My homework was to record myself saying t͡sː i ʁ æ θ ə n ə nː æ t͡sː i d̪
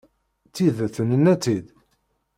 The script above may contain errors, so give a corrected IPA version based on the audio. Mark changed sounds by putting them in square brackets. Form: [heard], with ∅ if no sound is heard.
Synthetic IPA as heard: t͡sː i [ð] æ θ ə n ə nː æ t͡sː i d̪